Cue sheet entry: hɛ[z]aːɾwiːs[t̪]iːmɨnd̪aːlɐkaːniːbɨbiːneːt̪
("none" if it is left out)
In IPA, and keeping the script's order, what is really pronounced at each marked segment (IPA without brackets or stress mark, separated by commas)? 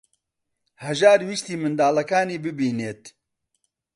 ʒ, t̪